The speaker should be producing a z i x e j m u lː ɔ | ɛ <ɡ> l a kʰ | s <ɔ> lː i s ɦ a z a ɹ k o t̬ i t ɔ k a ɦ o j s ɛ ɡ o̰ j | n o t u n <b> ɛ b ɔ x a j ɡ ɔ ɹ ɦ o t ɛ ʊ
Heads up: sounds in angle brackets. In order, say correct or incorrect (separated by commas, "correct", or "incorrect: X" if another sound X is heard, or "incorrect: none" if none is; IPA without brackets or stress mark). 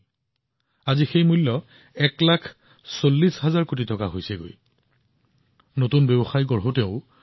incorrect: k, incorrect: o, correct